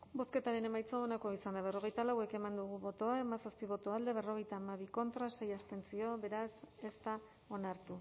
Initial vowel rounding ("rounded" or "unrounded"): rounded